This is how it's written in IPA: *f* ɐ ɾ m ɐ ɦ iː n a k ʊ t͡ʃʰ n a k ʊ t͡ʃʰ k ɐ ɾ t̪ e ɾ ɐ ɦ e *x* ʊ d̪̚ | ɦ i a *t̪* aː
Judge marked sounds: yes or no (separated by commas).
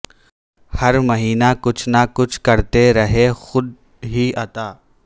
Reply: no, yes, yes